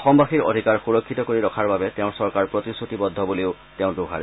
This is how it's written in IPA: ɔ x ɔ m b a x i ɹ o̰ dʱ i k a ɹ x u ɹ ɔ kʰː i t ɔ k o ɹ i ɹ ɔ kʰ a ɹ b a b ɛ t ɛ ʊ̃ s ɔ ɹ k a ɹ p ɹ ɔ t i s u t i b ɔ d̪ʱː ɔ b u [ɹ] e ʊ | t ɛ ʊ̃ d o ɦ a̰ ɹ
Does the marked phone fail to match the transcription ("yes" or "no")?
yes